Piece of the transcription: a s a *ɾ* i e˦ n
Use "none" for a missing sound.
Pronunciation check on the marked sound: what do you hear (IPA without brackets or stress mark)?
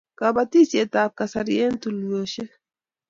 ɾ